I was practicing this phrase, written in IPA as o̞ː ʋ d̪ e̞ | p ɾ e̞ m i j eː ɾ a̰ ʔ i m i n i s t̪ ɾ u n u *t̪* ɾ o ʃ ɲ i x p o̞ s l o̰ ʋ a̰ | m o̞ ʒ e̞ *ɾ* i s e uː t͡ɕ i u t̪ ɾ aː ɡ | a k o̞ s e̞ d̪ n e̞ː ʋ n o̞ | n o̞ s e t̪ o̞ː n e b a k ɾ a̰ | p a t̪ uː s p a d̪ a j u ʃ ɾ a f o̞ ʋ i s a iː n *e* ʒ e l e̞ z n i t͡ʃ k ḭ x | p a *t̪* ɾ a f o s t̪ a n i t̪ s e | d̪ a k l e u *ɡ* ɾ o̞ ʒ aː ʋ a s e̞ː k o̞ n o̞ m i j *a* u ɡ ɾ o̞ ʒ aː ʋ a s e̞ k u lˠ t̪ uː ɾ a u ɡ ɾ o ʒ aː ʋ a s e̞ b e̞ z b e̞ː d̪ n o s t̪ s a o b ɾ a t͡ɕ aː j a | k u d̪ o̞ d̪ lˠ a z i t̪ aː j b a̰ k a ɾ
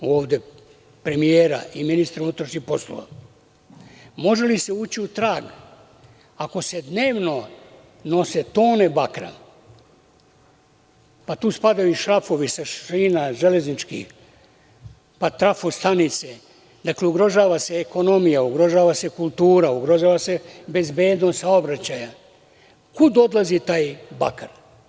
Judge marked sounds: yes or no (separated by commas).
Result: yes, no, no, yes, yes, yes